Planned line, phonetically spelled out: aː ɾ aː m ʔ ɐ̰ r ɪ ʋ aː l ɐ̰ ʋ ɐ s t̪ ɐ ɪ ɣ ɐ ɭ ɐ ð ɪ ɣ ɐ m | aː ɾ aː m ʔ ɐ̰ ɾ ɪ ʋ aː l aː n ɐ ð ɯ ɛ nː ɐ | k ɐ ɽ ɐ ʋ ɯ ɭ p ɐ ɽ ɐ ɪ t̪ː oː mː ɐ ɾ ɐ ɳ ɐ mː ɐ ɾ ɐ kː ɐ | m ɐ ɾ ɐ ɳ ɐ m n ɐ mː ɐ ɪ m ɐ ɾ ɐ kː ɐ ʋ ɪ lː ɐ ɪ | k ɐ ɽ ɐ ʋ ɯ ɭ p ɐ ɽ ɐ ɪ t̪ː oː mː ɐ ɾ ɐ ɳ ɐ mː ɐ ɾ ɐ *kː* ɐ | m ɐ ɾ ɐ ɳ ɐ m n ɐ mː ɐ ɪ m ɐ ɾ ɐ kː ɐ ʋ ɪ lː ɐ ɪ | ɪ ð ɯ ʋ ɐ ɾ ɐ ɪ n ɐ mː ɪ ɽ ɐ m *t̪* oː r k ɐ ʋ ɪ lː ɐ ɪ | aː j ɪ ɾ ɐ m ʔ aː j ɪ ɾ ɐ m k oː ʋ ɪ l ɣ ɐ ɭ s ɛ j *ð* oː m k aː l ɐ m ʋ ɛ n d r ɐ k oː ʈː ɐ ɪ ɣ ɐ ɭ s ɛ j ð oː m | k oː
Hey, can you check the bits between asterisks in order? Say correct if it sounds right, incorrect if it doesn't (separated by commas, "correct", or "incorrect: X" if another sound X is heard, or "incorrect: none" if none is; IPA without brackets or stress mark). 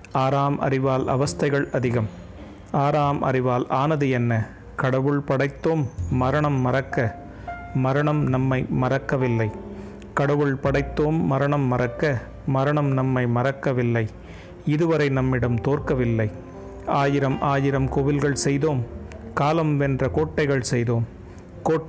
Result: correct, correct, correct